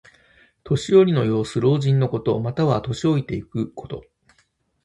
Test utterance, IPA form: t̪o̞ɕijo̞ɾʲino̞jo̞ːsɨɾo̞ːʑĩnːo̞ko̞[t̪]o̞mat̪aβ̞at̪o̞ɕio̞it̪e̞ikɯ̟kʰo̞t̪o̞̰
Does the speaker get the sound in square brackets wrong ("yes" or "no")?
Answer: no